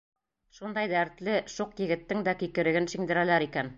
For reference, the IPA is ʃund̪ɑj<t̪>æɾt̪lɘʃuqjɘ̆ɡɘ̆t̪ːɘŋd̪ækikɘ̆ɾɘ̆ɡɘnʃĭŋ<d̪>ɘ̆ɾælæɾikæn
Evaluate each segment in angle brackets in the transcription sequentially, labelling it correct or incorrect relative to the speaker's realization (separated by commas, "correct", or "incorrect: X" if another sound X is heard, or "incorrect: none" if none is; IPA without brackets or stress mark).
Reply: incorrect: d̪, correct